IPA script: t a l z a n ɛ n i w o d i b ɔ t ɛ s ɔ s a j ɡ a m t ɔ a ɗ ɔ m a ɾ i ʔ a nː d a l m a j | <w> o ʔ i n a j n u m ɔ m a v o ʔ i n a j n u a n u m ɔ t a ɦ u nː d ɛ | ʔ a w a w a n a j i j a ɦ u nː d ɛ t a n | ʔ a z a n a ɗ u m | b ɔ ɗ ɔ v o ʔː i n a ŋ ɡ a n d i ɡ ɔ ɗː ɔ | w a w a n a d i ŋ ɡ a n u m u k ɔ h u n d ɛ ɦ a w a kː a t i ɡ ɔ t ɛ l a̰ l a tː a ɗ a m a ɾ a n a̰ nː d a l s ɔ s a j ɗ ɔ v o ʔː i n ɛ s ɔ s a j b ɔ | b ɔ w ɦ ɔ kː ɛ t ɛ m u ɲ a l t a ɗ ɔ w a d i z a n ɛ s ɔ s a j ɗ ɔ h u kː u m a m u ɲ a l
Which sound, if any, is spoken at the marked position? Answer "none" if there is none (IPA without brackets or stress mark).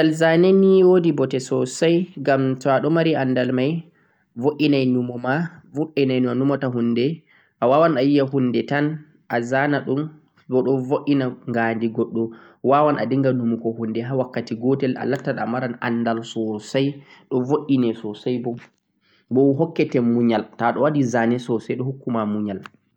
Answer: v